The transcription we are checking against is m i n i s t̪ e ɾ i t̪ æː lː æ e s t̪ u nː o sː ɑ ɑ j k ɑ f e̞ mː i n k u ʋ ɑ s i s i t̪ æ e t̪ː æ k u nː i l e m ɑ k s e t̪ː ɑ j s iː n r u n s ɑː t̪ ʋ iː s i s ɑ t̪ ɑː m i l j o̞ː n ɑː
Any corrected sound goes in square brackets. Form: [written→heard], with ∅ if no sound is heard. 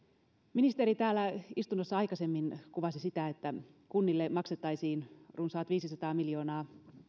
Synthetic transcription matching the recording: m i n i s t̪ e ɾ i t̪ æː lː æ [e→i] s t̪ u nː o sː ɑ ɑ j k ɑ [f→s] e̞ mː i n k u ʋ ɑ s i s i t̪ æ e t̪ː æ k u nː i [l→lː] e m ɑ k s e t̪ː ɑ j s iː n r u n s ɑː t̪ ʋ iː s i s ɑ t̪ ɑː m i l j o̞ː n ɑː